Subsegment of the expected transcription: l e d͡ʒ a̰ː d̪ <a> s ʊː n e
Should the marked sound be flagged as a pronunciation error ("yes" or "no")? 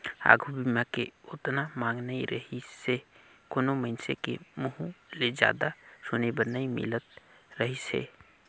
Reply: no